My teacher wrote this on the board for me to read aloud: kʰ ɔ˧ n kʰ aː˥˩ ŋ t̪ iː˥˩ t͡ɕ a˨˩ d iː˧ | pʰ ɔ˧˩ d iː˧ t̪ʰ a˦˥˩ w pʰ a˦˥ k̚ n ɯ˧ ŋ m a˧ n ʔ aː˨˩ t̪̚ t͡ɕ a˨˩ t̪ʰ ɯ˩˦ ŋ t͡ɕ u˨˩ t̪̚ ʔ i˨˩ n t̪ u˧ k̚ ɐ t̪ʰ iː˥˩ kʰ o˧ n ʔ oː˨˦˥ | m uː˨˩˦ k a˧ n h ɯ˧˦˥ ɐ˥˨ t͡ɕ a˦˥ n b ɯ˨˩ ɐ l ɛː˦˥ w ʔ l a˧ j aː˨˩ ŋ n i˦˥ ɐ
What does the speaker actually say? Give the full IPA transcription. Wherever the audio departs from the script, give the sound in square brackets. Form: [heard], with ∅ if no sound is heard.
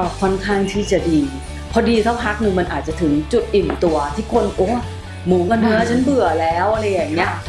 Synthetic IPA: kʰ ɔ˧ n kʰ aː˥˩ ŋ [t̪ʰ] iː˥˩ t͡ɕ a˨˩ d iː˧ | pʰ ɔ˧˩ d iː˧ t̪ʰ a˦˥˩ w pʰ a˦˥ k̚ n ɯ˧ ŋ m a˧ n ʔ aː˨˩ t̪̚ t͡ɕ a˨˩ t̪ʰ ɯ˩˦ ŋ t͡ɕ u˨˩ t̪̚ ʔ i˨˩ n t̪ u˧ [∅] ɐ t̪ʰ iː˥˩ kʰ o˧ n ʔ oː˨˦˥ | m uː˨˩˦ k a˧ n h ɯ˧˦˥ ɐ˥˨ [t͡ɕʰ] a˦˥ n b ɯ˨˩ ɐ l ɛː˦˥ w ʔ l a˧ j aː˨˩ ŋ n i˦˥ ɐ

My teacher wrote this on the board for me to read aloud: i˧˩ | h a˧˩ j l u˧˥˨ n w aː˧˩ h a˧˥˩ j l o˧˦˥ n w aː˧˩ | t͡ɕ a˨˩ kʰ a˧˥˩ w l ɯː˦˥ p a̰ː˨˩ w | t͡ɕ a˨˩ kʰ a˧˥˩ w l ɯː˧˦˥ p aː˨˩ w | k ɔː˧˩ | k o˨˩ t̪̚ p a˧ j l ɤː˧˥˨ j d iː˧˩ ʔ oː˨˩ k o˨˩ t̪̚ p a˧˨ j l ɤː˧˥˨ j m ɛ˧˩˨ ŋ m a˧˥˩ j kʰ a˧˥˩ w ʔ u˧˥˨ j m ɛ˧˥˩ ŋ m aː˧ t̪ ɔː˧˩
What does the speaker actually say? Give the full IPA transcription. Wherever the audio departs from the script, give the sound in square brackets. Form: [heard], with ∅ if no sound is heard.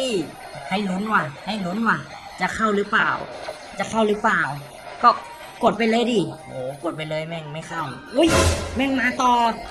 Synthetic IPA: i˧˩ | h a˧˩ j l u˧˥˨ n w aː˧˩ h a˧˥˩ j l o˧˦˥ n w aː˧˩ | t͡ɕ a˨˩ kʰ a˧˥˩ w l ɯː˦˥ p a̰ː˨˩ w | t͡ɕ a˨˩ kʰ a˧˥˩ w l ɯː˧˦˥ p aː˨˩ w | k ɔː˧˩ | k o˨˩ t̪̚ p a˧ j l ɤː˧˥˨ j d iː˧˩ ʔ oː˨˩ k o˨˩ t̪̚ p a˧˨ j l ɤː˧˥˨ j m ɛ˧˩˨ ŋ m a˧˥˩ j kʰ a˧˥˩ w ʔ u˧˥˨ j m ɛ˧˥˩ ŋ m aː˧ t̪ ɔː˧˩

